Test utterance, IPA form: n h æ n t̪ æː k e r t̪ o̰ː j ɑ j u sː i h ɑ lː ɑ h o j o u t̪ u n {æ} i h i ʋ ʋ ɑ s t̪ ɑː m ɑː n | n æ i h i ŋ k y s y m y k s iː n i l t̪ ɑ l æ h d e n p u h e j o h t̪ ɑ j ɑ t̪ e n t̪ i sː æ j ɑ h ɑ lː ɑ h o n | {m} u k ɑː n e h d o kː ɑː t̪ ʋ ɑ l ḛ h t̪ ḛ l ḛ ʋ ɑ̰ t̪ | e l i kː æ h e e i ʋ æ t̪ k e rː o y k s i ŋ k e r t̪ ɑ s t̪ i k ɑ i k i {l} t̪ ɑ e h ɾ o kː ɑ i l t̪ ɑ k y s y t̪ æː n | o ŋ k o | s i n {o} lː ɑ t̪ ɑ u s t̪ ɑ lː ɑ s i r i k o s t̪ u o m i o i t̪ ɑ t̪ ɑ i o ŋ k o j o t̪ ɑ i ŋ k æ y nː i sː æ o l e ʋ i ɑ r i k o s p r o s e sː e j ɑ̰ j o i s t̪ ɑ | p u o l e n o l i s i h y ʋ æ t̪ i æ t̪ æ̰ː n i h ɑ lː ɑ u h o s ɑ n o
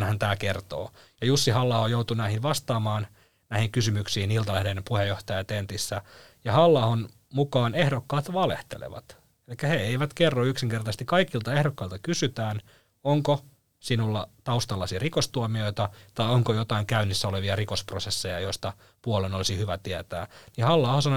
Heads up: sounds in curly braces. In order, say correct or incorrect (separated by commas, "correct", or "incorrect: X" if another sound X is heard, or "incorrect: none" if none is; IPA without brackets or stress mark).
correct, correct, correct, incorrect: u